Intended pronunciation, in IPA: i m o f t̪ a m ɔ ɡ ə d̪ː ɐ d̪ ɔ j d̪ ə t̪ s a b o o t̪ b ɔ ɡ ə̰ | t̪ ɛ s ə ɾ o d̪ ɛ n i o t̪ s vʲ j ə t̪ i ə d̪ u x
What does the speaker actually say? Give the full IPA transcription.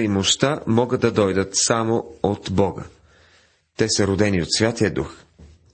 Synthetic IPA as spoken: i m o ʃ t̪ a m ɔ ɡ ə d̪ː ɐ d̪ ɔ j d̪ ə t̪ s a m o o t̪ b ɔ ɡ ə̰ | t̪ ɛ s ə ɾ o d̪ ɛ n i o t̪ s vʲ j a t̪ i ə d̪ u x